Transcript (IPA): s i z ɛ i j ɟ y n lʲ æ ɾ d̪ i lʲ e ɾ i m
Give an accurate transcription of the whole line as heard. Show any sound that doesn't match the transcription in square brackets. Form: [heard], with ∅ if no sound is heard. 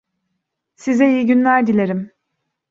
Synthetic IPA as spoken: s i z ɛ i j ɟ y n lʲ æ ɾ d̪ i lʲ e ɾ i m